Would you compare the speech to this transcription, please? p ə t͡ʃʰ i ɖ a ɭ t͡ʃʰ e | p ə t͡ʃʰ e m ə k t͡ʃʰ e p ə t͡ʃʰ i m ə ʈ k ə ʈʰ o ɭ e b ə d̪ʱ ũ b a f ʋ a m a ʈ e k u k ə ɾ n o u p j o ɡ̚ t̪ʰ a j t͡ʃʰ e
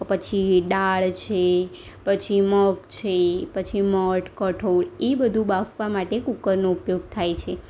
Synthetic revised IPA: p ə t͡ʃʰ i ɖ a ɭ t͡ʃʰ e | p ə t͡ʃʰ i m ə k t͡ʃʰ e p ə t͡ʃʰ i m ə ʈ k ə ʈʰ o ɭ e b ə d̪ʱ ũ b a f ʋ a m a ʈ e k u k ə ɾ n o u p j o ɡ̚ t̪ʰ a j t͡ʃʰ e